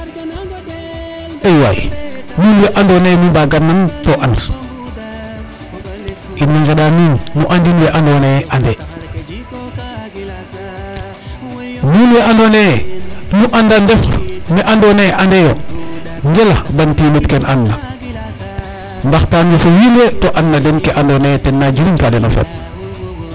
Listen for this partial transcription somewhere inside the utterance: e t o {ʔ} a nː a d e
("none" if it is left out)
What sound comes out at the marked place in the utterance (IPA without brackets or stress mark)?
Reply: ʔ